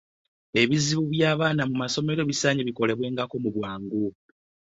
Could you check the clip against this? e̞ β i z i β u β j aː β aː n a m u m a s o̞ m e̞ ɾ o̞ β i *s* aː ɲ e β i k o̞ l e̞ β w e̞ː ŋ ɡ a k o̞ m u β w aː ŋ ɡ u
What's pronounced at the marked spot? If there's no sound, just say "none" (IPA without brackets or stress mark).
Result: s